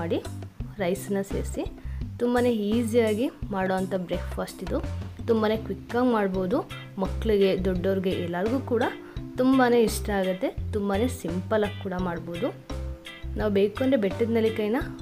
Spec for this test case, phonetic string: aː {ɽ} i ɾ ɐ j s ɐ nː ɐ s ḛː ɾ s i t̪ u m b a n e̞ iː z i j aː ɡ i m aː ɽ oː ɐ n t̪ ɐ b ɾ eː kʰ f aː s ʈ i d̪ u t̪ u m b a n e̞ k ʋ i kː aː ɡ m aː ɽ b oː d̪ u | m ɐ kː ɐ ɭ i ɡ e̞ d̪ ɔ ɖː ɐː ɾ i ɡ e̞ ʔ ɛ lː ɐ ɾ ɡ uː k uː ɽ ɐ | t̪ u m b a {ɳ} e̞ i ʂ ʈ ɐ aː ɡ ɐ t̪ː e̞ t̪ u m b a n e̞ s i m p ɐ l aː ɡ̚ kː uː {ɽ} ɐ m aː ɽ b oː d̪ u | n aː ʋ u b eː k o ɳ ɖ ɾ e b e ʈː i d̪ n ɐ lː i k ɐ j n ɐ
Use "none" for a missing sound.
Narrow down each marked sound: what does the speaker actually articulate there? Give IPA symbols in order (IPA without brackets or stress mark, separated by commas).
ɽ, n, ɽ